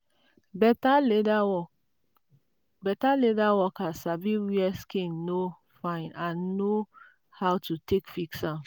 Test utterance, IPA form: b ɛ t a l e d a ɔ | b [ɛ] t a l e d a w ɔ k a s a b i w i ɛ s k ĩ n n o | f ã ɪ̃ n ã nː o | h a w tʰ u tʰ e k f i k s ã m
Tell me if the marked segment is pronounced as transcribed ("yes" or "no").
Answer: yes